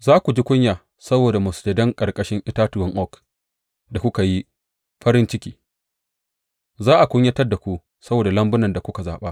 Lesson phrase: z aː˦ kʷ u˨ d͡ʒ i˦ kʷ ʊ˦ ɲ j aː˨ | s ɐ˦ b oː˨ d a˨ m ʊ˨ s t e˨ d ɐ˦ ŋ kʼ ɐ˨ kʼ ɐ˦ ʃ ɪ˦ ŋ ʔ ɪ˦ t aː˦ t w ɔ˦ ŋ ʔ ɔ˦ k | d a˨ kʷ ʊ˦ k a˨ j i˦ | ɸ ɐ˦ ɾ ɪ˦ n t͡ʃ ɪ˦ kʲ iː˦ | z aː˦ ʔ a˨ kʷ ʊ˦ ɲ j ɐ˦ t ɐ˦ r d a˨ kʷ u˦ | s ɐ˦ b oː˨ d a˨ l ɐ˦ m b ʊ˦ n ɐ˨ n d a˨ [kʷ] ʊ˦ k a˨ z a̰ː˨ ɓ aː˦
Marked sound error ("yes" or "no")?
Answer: no